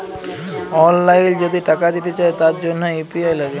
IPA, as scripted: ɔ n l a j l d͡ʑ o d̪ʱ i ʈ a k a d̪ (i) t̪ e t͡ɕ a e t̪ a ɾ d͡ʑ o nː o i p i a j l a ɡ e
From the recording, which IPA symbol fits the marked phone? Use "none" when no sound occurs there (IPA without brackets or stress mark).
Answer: i